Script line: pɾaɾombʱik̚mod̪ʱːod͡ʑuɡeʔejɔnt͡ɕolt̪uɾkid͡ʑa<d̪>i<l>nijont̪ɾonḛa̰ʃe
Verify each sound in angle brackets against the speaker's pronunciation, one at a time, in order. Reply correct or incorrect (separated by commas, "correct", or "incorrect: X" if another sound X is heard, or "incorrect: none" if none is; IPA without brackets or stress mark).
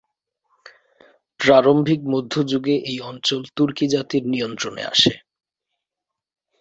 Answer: incorrect: t̪, incorrect: ɾ